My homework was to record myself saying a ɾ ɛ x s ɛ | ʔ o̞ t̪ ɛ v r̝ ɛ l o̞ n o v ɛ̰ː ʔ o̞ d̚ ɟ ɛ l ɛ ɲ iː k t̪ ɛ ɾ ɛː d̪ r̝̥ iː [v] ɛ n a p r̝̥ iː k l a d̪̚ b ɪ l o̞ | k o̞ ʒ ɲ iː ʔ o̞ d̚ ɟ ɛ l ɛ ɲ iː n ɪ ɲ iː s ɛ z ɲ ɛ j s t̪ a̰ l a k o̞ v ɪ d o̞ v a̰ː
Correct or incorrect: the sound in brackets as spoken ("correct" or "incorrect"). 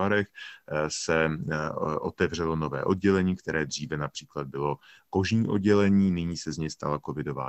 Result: correct